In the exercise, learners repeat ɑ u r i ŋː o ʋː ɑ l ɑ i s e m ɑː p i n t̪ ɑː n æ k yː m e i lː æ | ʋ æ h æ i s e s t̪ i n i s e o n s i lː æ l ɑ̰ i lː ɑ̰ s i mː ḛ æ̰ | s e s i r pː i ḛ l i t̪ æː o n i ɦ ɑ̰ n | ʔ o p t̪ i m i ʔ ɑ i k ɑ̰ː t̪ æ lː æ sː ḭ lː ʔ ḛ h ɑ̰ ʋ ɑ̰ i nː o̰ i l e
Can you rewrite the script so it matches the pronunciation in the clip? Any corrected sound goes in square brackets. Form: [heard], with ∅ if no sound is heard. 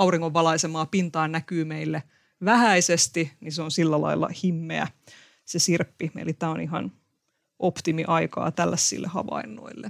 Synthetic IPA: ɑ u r i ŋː o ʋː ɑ l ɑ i s e m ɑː p i n t̪ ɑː n æ k yː m e i lː [e] | ʋ æ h æ i s e s t̪ i n i s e o n s i lː æ l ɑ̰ i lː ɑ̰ [h] i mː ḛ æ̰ | s e s i r pː i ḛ l i t̪ æː o n i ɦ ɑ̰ n | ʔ o p t̪ i m i ʔ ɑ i k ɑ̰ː t̪ æ lː æ sː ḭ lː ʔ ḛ h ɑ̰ ʋ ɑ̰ i nː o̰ i [lː] e